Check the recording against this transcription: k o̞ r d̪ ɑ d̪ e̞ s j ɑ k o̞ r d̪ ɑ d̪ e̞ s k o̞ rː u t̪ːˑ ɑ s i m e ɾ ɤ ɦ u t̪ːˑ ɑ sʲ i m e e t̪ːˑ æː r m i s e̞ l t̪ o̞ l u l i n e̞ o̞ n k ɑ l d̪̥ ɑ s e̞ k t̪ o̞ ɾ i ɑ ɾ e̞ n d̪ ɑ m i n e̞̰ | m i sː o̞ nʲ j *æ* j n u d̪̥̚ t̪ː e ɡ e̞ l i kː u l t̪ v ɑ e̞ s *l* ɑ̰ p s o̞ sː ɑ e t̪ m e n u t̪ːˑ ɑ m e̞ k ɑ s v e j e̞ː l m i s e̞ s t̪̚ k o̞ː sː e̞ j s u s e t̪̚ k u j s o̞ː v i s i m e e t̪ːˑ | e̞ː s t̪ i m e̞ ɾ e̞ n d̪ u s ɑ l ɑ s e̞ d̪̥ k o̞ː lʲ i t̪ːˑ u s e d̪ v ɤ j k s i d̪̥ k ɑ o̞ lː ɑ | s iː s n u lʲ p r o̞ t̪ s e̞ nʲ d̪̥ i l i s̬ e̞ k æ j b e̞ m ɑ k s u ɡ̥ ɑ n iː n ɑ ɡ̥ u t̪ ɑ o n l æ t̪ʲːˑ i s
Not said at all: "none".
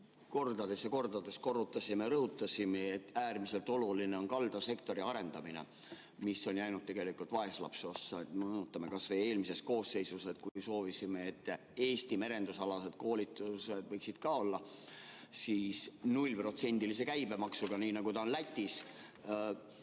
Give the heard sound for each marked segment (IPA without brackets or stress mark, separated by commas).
æ, l